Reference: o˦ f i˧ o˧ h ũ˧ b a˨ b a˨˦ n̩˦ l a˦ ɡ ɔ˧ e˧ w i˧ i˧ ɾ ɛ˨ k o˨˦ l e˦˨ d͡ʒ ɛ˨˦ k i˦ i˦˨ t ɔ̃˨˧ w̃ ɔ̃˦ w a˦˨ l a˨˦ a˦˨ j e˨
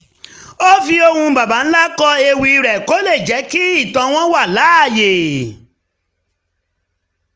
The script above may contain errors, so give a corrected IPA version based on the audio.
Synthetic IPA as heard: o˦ f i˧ o˧ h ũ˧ b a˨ b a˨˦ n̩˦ l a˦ k ɔ˧ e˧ w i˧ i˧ ɾ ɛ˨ k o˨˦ l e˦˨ d͡ʒ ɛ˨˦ k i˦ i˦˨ t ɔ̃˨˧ w̃ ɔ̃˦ w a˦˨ l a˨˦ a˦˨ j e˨

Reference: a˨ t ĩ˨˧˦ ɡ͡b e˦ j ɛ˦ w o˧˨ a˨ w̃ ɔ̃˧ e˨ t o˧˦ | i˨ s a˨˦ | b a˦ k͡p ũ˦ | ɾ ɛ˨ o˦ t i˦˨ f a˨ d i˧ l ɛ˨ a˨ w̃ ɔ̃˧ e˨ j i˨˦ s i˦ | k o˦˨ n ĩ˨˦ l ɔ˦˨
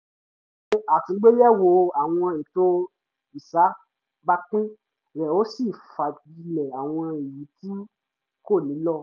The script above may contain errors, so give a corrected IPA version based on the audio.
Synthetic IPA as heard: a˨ t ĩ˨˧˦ ɡ͡b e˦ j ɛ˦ w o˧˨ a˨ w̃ ɔ̃˧ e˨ t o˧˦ | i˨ s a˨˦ | b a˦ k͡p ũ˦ | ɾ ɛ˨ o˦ s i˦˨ f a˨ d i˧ l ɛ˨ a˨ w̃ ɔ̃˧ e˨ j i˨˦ t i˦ | k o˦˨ n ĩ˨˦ l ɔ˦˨

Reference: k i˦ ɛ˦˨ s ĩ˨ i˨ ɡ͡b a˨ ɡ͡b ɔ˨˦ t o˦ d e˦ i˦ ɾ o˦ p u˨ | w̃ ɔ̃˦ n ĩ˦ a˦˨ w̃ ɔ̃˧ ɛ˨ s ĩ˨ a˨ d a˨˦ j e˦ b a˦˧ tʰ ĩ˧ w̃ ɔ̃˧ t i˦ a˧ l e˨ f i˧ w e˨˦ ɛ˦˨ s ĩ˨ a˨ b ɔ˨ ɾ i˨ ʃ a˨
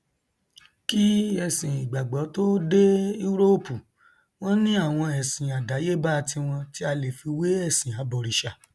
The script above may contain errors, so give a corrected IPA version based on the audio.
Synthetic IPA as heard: k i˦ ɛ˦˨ s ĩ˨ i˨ ɡ͡b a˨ ɡ͡b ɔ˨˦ t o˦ d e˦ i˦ ɾ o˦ p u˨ | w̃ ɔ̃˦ n ĩ˦ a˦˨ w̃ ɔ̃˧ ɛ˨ s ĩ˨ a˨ d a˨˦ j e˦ b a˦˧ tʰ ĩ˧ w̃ ɔ̃˧ t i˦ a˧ l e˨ f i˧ w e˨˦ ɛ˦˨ s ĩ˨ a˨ b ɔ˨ ɾ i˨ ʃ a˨

